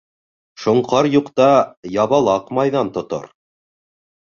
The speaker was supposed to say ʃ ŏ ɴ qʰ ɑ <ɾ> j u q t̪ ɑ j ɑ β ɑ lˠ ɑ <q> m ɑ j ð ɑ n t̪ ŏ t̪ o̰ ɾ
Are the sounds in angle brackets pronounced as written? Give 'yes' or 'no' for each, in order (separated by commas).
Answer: yes, yes